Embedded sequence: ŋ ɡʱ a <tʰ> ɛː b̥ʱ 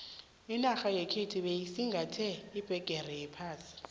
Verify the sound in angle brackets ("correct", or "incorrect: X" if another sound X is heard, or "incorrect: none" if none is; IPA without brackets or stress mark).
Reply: correct